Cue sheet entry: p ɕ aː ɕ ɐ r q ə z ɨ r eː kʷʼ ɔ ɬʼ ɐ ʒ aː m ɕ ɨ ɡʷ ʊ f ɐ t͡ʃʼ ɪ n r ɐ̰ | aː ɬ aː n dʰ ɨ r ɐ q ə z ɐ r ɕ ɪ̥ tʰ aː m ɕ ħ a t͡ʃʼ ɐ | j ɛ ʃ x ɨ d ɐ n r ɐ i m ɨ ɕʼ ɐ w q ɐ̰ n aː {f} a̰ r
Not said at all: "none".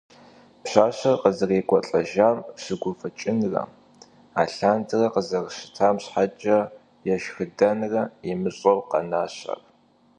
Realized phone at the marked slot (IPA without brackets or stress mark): ɕ